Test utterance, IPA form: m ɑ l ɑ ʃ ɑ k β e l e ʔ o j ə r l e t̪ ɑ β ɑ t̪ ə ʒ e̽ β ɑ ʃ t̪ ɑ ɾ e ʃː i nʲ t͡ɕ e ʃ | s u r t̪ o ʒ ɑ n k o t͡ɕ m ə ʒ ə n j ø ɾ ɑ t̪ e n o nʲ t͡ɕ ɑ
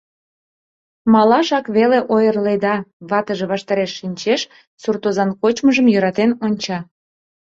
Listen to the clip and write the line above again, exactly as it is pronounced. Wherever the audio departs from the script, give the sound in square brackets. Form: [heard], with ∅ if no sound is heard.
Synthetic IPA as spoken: m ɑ l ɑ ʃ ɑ k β e l e ʔ o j ə r l e [d̪] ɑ β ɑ t̪ ə ʒ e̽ β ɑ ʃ t̪ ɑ ɾ e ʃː i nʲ t͡ɕ e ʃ | s u r t̪ o [z] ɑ n k o t͡ɕ m ə ʒ ə [m] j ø ɾ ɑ t̪ e n o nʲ t͡ɕ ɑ

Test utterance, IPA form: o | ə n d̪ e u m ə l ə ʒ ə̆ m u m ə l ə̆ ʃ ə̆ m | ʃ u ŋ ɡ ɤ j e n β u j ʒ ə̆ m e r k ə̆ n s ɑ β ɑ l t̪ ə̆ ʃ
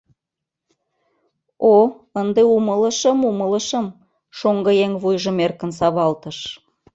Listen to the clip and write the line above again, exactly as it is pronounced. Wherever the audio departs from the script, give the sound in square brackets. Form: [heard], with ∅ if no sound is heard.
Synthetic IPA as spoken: o | ə n d̪ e u m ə l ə [ʃ] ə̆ m u m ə l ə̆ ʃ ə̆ m | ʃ [o] ŋ ɡ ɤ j e [ŋ] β u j ʒ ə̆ m e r k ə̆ n s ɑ β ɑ l t̪ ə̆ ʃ

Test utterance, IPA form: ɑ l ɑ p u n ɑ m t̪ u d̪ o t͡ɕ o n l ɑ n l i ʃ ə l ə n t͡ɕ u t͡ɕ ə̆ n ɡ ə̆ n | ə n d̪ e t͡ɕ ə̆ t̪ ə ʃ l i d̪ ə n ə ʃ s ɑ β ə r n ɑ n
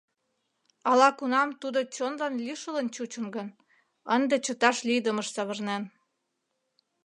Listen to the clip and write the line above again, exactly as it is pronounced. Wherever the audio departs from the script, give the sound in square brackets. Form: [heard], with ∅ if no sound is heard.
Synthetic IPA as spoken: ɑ l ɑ [k] u n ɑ m t̪ u d̪ o t͡ɕ o n l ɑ n l i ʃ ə l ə n t͡ɕ u t͡ɕ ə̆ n ɡ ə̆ n | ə n d̪ e t͡ɕ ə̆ t̪ [ɑ] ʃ l i d̪ ə [m] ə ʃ s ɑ β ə r n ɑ n

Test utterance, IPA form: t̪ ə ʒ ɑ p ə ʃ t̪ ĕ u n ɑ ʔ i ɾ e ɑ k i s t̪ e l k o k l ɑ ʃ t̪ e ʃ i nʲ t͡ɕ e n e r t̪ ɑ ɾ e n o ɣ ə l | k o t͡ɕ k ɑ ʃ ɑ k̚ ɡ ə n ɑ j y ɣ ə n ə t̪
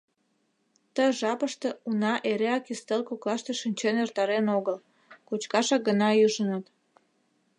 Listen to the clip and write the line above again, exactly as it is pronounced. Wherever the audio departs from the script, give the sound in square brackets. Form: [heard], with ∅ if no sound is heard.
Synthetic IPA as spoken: t̪ ə ʒ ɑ p ə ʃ t̪ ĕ u n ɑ ʔ [e] ɾ e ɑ k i s t̪ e l k o k l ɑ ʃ t̪ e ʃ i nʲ t͡ɕ e n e r t̪ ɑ ɾ e n o ɣ ə l | k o t͡ɕ k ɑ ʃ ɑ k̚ ɡ ə n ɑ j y [ʒ] ə n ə t̪

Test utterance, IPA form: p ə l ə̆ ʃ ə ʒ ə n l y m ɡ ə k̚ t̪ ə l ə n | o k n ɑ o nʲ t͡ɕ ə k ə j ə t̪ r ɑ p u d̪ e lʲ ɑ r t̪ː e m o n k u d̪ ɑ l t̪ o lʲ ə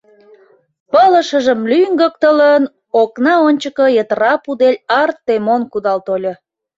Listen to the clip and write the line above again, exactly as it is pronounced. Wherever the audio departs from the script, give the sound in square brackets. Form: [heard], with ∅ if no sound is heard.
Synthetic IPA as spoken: p ə l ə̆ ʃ ə ʒ ə [m] l y [ŋ] ɡ ə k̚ t̪ ə l ə n | o k n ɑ o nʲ t͡ɕ ə k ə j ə t̪ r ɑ p u d̪ e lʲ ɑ r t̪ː e m o n k u d̪ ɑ l t̪ o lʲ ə

